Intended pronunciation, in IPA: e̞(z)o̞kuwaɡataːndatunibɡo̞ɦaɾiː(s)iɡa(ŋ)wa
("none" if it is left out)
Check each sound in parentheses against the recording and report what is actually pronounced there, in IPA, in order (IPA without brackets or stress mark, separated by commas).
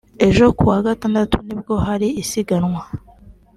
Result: ʒ, s, n